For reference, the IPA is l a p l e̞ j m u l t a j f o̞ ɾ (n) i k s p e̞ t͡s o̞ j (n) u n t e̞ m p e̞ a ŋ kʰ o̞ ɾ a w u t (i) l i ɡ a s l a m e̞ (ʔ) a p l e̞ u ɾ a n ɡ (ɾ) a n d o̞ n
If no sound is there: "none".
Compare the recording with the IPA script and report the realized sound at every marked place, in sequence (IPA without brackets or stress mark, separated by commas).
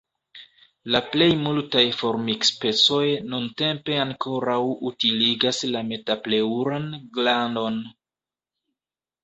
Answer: m, n, i, t, l